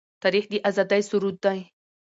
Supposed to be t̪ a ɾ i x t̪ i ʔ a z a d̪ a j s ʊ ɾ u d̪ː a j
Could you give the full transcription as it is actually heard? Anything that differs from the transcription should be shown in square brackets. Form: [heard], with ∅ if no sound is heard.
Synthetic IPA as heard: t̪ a ɾ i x [d̪] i ʔ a z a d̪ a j s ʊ ɾ u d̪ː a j